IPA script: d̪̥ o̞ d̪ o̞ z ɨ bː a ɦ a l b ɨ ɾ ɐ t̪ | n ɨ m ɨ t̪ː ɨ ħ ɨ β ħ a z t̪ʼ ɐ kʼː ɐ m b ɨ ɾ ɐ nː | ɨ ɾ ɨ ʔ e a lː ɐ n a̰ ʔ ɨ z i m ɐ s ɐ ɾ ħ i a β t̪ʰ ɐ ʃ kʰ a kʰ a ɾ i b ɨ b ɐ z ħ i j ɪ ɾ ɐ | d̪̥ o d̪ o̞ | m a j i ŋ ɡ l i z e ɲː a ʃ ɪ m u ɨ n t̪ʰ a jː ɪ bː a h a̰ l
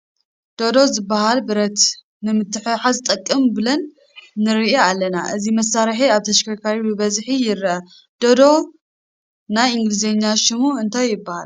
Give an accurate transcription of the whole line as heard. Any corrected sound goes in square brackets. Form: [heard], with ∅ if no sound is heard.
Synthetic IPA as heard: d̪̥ o̞ d̪ o̞ z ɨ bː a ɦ a l b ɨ ɾ ɐ t̪ | n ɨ m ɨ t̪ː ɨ ħ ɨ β ħ a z t̪ʼ ɐ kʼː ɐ m b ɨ [l] ɐ nː | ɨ ɾ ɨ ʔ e a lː ɐ n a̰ ʔ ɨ z i m ɐ s [a] ɾ ħ i a β t̪ʰ ɐ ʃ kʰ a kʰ a ɾ i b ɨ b ɐ z ħ i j ɪ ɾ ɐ | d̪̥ o d̪ o̞ | [n] a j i ŋ ɡ l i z e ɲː a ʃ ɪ m u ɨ n t̪ʰ a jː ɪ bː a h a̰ l